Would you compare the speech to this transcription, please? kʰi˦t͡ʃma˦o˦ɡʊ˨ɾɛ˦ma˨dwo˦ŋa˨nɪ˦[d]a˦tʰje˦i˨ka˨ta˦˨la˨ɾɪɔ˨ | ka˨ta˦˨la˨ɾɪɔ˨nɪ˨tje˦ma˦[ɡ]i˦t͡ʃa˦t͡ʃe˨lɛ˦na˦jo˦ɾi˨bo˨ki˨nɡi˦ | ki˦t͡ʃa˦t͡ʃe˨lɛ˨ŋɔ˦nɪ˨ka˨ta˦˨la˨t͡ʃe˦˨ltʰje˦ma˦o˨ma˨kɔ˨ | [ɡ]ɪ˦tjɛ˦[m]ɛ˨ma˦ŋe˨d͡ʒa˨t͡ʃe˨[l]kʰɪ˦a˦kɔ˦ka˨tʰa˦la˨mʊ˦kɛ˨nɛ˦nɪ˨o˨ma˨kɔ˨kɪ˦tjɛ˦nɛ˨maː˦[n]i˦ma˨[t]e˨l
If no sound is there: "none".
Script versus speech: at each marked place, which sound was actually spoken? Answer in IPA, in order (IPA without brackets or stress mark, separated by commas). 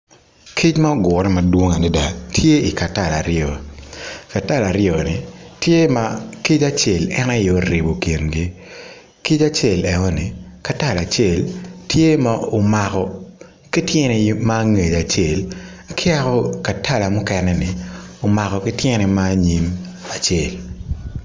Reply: d, k, k, n, l, ɲ, t͡ʃ